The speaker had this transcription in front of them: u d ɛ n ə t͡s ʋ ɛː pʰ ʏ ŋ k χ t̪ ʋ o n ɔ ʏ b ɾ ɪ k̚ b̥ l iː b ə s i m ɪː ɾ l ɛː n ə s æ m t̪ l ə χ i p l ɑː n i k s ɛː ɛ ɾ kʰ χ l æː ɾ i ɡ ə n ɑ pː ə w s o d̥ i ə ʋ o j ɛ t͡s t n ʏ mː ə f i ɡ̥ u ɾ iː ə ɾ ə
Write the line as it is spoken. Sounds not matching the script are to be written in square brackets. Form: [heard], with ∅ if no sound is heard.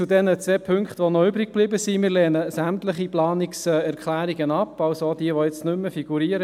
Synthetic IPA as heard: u d ɛ n ə t͡s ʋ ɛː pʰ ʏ ŋ k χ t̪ ʋ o n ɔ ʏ b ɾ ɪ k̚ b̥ l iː b ə s i m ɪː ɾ l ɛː n ə s æ m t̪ l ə χ i p l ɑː n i k s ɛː ɛ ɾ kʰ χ l æː ɾ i ɡ ə n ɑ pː [ɑ] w s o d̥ i ə ʋ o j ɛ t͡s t n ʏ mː ə f i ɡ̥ u ɾ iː ə ɾ ə